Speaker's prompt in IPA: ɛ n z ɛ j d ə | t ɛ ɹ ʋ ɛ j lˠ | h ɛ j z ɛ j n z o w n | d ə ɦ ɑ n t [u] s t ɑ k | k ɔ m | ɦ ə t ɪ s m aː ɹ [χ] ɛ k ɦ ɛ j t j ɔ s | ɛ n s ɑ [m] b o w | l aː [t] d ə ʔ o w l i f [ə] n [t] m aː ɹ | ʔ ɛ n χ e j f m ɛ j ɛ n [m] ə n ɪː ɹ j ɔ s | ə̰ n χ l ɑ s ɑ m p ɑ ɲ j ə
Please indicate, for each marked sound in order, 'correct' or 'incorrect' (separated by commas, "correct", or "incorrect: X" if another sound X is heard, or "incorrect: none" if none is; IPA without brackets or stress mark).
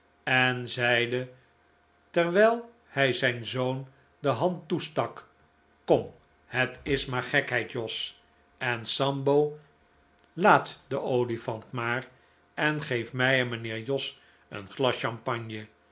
correct, correct, correct, correct, incorrect: ɑ, correct, correct